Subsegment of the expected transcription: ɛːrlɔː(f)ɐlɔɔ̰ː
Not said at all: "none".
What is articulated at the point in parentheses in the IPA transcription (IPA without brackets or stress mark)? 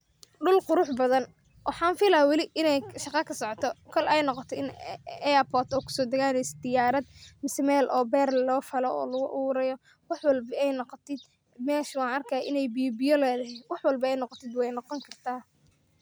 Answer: f